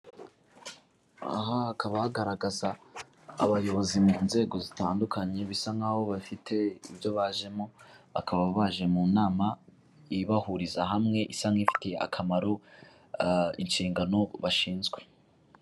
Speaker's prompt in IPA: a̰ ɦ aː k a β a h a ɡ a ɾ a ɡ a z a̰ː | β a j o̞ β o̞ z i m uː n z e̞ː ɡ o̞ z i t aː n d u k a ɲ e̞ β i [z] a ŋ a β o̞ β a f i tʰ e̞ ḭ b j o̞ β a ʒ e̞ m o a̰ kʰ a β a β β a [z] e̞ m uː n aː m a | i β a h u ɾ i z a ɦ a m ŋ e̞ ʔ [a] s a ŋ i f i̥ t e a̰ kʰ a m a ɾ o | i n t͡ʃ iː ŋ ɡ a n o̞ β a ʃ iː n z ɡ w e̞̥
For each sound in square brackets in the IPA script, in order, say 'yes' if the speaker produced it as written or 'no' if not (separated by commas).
no, no, no